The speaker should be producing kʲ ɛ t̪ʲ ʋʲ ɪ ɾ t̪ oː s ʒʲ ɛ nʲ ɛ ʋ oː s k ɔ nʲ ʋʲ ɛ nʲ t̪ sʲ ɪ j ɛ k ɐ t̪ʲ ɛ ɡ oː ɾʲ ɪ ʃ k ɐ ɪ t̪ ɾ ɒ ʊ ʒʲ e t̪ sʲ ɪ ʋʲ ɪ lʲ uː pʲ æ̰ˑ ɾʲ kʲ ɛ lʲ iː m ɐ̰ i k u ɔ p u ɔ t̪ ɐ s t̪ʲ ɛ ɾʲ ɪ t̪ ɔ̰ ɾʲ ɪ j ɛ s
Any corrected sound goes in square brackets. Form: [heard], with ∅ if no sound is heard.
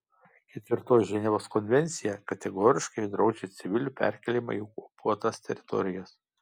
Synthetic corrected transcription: kʲ ɛ t̪ʲ ʋʲ ɪ ɾ t̪ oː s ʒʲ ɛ nʲ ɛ ʋ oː s k ɔ nʲ ʋʲ ɛ nʲ t̪ sʲ ɪ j ɛ k ɐ t̪ʲ ɛ ɡ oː ɾʲ ɪ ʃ k ɐ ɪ [d̪] ɾ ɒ ʊ [d͡ʒʲ] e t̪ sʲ ɪ ʋʲ ɪ lʲ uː pʲ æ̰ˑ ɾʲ kʲ ɛ lʲ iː m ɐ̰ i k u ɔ p u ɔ t̪ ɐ s t̪ʲ ɛ ɾʲ ɪ t̪ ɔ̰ ɾʲ ɪ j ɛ s